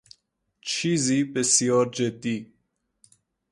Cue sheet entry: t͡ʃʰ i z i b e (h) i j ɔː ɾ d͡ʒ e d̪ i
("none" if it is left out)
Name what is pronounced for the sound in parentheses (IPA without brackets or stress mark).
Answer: s